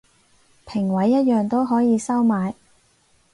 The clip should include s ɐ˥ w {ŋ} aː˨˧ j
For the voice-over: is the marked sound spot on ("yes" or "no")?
no